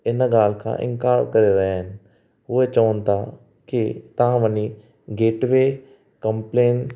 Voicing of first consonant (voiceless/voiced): voiced